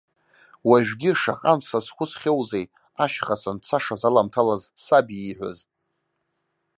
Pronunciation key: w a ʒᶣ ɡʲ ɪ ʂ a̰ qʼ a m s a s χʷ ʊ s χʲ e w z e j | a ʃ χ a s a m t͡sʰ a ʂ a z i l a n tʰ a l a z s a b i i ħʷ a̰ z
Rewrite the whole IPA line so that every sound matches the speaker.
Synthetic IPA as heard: w a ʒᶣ ɡʲ ɪ ʂ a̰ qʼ a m s a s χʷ ʊ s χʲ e w z e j | a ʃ χ a s a n t͡sʰ a ʂ a z a l a m tʰ a l a z s a b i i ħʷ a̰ z